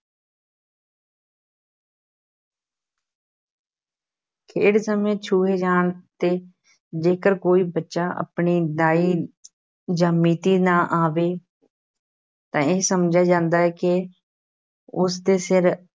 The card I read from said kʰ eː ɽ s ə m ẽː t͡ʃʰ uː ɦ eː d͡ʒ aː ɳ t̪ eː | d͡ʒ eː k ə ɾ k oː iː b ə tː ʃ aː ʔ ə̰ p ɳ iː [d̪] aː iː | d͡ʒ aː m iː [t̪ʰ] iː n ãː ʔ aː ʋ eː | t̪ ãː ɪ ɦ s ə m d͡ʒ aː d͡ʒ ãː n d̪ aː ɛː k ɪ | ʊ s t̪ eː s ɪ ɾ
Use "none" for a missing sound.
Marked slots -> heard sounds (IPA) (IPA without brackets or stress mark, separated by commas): d̪, t̪